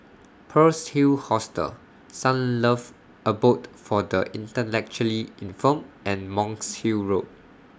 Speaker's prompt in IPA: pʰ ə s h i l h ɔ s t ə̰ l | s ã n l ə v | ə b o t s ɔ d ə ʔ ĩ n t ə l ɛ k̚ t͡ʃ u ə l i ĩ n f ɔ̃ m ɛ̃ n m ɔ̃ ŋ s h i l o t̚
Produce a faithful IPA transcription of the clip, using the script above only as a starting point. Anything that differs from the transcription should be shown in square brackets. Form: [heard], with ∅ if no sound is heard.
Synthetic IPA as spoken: pʰ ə s h i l h ɔ s t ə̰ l | s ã n l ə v | ə b o t [f] ɔ d ə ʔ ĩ n t ə l ɛ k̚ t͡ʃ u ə l i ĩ n f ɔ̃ m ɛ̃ n m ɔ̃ ŋ s h i [ɹ] o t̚